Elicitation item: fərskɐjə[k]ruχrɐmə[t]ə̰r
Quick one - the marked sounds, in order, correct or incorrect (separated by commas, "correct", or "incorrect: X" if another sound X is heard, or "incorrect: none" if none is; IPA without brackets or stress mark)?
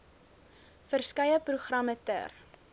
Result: incorrect: p, correct